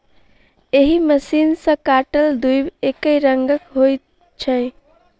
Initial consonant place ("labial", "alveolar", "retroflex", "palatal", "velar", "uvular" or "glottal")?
glottal